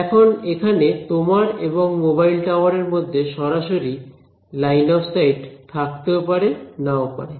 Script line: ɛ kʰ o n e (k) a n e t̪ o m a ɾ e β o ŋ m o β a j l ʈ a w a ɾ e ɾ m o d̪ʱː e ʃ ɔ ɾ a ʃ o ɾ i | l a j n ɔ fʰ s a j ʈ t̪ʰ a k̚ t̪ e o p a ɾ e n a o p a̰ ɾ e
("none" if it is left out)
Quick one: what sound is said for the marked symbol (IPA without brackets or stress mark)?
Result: kʰ